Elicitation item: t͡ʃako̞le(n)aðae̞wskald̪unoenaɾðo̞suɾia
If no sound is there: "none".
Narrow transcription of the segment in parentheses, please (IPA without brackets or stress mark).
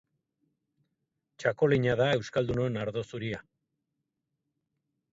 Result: ɲ